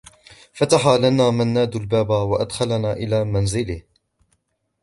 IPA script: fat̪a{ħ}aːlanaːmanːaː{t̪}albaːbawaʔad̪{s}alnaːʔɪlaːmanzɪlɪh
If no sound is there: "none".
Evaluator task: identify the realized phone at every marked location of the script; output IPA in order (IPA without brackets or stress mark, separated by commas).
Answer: ħ, d̪, x